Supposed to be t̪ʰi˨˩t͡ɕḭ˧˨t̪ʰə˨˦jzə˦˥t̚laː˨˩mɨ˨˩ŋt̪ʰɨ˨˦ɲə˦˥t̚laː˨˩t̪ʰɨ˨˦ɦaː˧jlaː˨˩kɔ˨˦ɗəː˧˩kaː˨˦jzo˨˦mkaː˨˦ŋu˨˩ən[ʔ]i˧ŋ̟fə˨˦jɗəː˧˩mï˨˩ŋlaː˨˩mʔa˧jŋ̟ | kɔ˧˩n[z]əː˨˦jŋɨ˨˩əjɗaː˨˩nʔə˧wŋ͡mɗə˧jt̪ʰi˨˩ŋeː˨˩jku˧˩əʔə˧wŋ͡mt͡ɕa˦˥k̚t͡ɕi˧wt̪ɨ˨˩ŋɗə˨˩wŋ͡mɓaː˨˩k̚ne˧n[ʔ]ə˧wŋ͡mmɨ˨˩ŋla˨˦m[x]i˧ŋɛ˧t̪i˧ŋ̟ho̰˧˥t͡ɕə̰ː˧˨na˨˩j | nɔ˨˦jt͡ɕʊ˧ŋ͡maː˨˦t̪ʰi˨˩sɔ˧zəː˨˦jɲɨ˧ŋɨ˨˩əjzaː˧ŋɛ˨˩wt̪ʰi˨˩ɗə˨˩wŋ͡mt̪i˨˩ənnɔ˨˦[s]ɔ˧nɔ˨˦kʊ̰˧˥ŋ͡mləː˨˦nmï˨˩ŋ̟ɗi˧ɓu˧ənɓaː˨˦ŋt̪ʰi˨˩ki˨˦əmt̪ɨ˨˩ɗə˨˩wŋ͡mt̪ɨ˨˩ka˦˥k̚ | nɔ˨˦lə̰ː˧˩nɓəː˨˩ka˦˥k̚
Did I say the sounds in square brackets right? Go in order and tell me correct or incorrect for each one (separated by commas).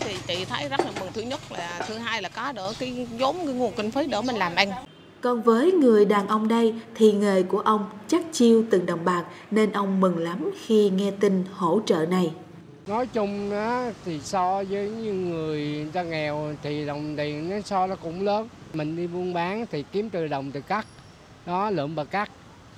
incorrect, incorrect, correct, correct, correct